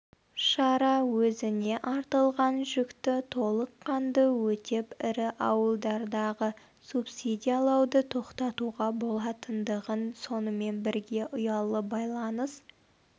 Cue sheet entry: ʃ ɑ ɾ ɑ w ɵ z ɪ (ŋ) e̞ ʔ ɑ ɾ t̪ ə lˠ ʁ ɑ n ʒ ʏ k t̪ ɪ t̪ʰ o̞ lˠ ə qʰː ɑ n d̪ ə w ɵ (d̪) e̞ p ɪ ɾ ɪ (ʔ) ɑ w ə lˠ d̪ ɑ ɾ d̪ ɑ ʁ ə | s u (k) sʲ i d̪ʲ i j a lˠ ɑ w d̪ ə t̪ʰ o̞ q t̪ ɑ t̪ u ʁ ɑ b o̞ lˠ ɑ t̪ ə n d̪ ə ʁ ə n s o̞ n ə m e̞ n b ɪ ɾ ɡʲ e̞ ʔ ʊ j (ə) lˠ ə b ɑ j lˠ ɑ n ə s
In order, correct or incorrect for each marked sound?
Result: incorrect: n, incorrect: t̪, correct, incorrect: p, incorrect: ɑ

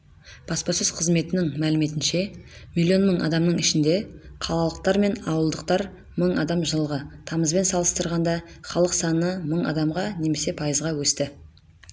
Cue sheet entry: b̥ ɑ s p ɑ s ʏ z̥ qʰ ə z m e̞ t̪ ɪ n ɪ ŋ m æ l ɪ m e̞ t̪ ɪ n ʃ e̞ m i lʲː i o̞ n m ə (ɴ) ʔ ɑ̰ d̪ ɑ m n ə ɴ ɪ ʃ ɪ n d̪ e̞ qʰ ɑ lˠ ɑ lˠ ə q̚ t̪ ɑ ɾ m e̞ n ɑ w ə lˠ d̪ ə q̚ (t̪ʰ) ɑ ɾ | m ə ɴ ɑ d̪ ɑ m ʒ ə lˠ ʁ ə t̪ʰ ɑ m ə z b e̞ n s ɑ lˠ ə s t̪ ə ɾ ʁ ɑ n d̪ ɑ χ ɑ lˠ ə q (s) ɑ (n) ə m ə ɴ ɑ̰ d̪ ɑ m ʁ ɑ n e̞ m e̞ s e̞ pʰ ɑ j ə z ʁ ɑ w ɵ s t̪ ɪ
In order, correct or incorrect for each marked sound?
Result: correct, incorrect: t̪, correct, correct

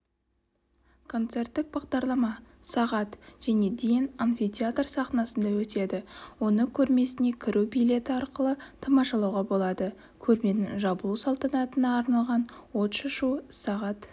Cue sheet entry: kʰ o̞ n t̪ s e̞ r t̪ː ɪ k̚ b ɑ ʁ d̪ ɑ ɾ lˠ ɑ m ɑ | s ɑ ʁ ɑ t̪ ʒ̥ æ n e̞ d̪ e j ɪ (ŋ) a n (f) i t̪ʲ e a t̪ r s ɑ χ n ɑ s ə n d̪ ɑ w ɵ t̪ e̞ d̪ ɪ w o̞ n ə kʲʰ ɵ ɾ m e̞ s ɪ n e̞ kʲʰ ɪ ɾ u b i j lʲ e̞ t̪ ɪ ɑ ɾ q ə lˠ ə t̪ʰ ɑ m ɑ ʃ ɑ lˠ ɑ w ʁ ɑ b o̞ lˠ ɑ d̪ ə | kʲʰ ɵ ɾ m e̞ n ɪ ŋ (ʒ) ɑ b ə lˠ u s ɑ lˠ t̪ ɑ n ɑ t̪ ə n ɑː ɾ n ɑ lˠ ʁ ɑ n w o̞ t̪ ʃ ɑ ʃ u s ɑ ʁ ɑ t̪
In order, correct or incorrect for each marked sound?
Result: incorrect: n, correct, correct

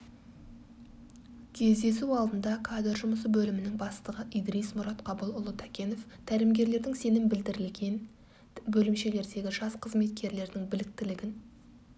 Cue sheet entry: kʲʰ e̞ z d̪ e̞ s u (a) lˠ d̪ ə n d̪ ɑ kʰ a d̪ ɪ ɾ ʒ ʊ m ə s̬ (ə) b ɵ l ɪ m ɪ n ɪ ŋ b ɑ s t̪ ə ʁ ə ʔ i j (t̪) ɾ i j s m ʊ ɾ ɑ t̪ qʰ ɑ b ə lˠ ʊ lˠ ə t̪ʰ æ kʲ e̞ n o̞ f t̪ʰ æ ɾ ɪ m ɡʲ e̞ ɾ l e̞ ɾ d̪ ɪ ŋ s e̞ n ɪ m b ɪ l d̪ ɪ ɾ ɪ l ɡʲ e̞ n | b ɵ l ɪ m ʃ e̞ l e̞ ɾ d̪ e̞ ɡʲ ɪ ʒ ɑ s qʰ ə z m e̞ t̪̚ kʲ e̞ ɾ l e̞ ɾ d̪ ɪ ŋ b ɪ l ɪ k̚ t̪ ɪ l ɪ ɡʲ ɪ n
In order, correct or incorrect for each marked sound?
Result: incorrect: ɑ, correct, incorrect: d̪

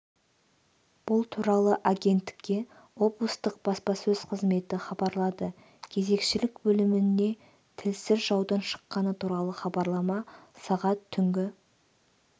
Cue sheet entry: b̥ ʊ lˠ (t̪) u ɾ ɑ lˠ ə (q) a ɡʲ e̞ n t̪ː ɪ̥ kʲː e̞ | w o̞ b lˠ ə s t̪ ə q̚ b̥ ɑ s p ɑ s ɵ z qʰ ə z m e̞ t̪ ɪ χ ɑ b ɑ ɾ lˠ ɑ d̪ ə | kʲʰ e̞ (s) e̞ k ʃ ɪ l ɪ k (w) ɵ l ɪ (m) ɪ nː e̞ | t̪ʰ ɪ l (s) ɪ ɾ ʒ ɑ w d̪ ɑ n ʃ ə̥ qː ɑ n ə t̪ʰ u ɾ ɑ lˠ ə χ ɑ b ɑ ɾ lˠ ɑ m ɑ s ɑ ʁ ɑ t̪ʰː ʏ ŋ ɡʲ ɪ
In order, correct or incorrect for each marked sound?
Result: incorrect: t̪ʰ, incorrect: ʔ, incorrect: z, incorrect: b, correct, correct

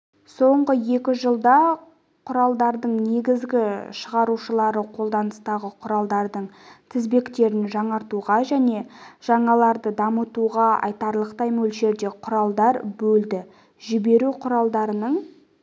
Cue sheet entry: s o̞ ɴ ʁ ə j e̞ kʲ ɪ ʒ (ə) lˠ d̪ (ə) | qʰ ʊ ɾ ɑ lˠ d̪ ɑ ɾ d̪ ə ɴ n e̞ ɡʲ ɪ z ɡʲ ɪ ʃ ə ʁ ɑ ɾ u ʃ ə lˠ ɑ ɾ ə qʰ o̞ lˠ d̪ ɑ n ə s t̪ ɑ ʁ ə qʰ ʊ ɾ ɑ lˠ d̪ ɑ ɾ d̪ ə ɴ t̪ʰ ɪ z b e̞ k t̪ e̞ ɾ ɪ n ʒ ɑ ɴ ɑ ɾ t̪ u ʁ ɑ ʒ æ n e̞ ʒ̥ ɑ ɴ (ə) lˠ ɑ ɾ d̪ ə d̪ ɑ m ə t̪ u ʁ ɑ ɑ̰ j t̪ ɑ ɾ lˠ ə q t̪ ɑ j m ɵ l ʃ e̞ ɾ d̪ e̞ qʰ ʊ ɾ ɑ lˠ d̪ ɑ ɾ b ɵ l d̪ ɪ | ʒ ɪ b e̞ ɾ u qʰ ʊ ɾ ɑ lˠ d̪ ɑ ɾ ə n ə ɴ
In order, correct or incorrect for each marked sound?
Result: correct, incorrect: ɑ, incorrect: ɑ

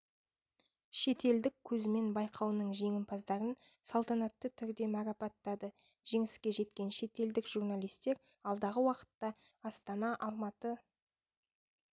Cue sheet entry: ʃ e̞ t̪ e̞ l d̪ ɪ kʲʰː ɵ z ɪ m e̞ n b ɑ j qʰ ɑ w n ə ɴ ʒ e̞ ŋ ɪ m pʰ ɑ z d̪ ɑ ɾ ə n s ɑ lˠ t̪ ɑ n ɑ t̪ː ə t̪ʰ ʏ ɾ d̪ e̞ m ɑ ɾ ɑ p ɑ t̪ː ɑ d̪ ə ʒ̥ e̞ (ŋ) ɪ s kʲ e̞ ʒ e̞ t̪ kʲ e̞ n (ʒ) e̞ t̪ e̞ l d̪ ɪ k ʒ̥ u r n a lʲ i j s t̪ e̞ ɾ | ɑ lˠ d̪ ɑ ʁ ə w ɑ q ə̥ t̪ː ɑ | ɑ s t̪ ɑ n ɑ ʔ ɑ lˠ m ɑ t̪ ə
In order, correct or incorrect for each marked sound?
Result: correct, incorrect: ʃ

